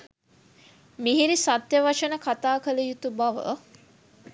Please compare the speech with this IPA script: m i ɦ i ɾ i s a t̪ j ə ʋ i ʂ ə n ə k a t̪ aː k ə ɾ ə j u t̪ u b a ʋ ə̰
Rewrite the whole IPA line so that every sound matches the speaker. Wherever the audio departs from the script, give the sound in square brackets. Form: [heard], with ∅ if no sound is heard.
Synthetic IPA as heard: m i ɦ i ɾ i s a t̪ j ə ʋ [a] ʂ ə n ə k a t̪ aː k ə [l] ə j u t̪ u b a ʋ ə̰